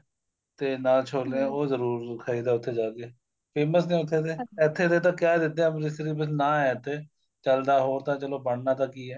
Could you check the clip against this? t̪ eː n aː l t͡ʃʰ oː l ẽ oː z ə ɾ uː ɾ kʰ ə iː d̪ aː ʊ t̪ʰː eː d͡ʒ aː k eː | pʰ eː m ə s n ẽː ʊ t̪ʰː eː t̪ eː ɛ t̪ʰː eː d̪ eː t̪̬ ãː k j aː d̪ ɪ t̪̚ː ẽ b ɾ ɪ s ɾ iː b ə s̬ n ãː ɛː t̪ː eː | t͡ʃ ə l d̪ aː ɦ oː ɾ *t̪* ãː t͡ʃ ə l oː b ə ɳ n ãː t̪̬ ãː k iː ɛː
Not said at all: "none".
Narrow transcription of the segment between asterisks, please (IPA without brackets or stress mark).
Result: t̪